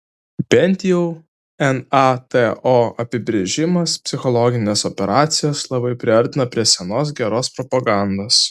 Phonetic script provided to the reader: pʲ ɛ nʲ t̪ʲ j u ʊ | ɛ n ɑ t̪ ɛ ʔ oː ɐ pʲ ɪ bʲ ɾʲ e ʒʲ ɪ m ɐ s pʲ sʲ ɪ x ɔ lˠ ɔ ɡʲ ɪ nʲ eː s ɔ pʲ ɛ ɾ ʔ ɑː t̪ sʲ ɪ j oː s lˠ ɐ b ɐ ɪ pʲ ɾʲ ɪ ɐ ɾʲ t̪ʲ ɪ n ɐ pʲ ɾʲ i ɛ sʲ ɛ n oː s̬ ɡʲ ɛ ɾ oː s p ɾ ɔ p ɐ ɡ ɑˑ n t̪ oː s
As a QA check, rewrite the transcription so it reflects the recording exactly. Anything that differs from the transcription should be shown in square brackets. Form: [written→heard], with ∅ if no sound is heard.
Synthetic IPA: pʲ ɛ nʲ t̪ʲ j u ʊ | ɛ n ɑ t̪ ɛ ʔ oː ɐ pʲ ɪ bʲ ɾʲ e ʒʲ ɪ m ɐ s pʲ sʲ ɪ x ɔ lˠ ɔ ɡʲ ɪ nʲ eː s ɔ pʲ ɛ ɾ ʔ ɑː t̪ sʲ ɪ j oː s lˠ ɐ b ɐ ɪ pʲ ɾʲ ɪ ɐ ɾʲ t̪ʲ ɪ n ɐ pʲ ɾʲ i ɛ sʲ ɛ n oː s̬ ɡʲ ɛ ɾ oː s p ɾ ɔ p ɐ ɡ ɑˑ n [t̪→d̪] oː s